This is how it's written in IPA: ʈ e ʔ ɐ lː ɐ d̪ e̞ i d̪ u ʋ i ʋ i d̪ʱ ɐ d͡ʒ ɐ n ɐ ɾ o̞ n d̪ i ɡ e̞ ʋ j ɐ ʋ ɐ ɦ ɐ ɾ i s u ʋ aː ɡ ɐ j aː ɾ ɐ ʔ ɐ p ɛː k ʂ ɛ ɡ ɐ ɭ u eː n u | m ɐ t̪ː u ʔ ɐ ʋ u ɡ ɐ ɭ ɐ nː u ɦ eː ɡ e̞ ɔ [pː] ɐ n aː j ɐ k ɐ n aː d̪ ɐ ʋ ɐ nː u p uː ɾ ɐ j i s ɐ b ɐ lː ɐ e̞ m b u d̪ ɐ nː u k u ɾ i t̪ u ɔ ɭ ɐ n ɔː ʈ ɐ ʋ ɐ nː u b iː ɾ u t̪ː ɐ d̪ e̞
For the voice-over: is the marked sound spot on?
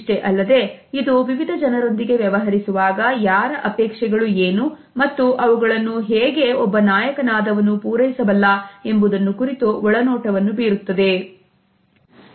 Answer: no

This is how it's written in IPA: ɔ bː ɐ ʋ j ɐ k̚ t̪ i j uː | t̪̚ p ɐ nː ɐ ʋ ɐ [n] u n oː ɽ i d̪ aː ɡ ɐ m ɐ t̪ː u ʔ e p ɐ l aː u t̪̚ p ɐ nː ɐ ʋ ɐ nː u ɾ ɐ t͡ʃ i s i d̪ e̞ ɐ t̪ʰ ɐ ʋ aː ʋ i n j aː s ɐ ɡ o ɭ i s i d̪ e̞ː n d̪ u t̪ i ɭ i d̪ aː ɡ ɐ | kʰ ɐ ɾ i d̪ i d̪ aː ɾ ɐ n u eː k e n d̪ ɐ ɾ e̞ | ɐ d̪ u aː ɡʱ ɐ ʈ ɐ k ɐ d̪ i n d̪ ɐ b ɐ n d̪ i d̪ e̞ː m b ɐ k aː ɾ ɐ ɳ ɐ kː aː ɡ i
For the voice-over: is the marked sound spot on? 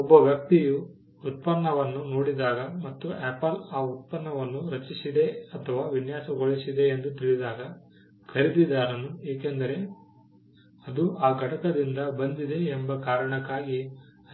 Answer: no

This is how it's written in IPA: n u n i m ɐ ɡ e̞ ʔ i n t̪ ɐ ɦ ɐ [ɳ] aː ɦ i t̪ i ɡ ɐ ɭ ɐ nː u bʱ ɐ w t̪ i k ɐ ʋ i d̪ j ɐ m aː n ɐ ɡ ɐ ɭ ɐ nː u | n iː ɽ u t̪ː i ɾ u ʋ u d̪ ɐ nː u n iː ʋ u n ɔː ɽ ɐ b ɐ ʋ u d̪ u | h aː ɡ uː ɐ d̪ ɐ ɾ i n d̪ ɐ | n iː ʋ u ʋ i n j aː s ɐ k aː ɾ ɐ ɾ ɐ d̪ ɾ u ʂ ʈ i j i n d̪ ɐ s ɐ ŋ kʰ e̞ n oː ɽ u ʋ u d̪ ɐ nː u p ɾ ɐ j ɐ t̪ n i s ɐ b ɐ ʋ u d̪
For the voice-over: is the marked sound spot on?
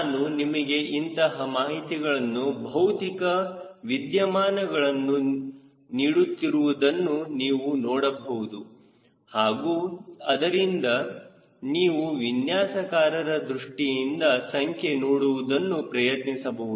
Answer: no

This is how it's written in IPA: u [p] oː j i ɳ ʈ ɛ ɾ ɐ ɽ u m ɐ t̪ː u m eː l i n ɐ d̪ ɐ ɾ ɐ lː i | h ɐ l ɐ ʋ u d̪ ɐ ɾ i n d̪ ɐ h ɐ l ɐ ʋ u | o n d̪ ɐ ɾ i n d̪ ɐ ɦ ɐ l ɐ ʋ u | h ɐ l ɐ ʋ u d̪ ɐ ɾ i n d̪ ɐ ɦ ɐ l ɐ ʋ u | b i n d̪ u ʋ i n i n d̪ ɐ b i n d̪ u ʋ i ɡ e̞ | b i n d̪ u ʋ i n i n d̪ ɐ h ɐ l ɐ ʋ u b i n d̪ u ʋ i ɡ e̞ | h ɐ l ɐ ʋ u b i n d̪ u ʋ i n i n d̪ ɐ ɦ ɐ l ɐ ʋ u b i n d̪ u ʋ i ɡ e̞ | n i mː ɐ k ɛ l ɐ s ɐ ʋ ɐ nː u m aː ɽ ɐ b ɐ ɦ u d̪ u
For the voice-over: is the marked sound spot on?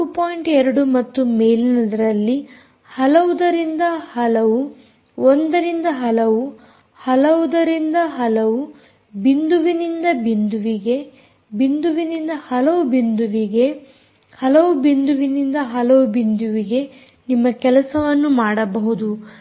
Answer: yes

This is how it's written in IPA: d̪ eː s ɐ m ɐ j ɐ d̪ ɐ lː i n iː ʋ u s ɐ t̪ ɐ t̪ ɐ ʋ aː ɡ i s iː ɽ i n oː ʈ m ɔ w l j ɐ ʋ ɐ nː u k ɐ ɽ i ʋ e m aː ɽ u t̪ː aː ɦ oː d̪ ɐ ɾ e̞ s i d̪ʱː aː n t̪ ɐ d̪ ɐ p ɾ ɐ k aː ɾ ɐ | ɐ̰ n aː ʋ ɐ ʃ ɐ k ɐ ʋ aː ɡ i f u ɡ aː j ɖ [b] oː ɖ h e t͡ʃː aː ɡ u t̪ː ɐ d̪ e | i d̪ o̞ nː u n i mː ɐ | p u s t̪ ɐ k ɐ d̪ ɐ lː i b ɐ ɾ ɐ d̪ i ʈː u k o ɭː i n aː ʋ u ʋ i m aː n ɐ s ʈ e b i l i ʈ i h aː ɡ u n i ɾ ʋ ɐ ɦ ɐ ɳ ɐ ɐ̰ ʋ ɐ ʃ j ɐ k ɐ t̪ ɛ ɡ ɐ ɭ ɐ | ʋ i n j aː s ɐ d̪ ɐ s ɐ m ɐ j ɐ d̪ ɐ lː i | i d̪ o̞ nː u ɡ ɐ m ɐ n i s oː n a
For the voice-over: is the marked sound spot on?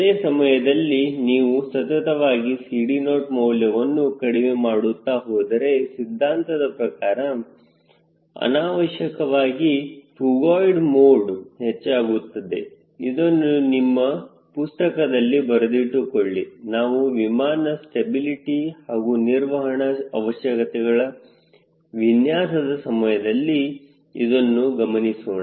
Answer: no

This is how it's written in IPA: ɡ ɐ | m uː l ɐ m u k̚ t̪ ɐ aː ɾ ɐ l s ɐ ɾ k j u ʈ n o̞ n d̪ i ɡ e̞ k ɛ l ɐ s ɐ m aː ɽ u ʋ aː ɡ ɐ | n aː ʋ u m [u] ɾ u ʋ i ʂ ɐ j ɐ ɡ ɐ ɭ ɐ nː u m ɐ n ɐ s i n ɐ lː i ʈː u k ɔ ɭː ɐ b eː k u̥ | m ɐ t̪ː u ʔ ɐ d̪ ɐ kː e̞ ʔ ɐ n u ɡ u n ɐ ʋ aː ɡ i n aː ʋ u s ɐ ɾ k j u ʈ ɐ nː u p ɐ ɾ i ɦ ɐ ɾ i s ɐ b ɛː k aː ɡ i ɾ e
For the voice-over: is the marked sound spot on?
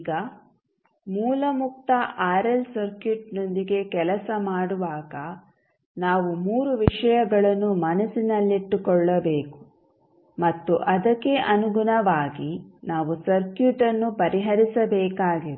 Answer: no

